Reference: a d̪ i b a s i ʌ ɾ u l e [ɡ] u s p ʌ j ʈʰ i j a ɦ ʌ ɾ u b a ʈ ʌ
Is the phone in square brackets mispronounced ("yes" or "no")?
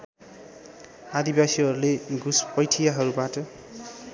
no